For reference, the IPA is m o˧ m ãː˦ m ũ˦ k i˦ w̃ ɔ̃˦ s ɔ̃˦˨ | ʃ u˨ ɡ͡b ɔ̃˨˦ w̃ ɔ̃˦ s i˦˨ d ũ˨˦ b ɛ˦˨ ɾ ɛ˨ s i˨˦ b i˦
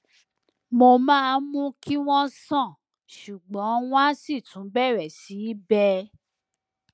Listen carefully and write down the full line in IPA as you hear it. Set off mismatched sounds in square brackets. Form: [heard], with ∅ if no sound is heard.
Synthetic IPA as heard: m o˧ m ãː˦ m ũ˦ k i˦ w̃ ɔ̃˦ s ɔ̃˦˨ | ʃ u˨ ɡ͡b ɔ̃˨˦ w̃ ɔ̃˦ s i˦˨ [t] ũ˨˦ b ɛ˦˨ ɾ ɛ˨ s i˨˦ b [ɛ˦]